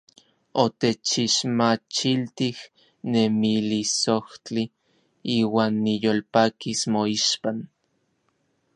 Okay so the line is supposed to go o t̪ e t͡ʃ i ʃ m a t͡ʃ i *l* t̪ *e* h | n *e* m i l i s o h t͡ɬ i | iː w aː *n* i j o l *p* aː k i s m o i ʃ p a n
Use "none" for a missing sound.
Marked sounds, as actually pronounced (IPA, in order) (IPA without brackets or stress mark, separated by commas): l, i, e, nː, p